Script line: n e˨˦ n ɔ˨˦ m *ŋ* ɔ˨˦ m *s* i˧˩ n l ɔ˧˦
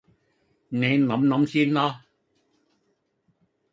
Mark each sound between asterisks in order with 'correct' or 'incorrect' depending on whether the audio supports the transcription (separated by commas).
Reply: incorrect, correct